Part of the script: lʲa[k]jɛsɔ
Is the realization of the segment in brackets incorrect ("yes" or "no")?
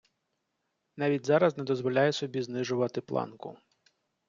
yes